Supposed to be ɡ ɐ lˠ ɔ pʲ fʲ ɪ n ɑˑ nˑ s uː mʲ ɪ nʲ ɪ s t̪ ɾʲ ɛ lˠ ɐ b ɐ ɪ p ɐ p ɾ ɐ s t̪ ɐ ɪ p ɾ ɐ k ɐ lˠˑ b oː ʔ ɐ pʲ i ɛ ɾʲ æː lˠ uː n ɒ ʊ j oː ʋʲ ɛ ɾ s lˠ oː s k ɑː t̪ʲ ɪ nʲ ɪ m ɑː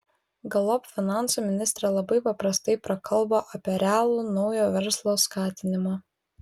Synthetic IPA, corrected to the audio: ɡ ɐ lˠ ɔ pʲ fʲ ɪ n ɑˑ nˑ s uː mʲ ɪ nʲ ɪ s t̪ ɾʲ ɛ lˠ ɐ b ɐ ɪ p ɐ p ɾ ɐ s t̪ ɐ ɪ p ɾ ɐ k ɐ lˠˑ b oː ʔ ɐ pʲ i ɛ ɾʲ æː lˠ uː n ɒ ʊ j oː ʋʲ ɛ ɾ s lˠ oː s k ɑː t̪ʲ ɪ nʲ ɪ m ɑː